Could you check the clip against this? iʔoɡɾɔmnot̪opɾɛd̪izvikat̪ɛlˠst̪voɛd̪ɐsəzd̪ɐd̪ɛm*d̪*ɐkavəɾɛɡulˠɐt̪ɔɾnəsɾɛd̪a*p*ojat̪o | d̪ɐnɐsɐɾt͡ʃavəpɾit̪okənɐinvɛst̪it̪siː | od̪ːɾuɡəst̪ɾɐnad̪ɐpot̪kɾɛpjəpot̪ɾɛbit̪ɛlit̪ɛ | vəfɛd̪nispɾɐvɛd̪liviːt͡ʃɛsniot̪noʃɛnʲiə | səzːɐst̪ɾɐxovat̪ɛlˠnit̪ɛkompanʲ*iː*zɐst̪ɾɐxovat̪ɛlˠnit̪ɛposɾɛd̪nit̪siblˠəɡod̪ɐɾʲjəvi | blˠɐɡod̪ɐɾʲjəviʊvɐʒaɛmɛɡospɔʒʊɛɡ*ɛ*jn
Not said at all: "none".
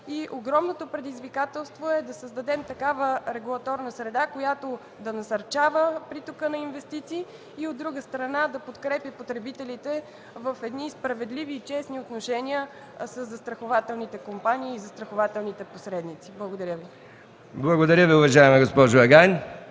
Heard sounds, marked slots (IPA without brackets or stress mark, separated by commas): t̪, k, iː, a